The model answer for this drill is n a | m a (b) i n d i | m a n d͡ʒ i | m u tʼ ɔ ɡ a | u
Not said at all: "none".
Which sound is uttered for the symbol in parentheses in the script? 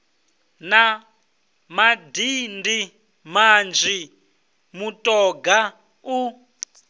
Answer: d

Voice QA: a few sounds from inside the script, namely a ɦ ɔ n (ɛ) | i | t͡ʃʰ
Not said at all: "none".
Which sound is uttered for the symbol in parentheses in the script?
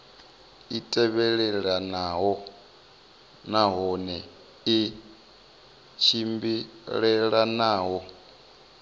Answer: ɛ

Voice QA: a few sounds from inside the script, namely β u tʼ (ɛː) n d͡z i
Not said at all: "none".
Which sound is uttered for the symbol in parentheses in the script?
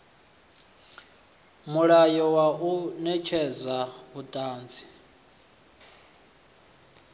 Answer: aː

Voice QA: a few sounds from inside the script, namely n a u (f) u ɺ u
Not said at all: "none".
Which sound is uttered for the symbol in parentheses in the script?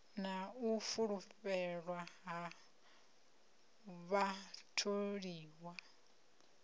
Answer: f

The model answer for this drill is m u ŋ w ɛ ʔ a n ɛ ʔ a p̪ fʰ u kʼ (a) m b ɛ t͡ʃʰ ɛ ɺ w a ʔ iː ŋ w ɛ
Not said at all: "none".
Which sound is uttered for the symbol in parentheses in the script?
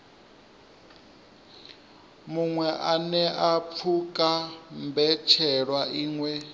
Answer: a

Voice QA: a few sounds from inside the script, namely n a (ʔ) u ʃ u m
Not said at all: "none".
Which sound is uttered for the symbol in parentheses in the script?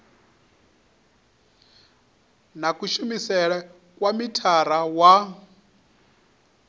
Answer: k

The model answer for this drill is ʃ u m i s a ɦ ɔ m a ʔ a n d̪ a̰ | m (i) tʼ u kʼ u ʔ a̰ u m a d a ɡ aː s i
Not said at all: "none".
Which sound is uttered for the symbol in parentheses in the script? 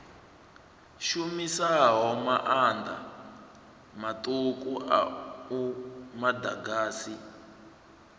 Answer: a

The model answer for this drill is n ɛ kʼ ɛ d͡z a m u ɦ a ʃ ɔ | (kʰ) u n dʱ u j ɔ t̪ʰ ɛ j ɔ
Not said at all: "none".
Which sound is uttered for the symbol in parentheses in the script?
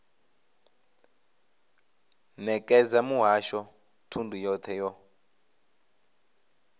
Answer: tʰ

